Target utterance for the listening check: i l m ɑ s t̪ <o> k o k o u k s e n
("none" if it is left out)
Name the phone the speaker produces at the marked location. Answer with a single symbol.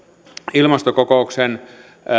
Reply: o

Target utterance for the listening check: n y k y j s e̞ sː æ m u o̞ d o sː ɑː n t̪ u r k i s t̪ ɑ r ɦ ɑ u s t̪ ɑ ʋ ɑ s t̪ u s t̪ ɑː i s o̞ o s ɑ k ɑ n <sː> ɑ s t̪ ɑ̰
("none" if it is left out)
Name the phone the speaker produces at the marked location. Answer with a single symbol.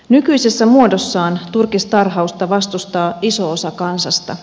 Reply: s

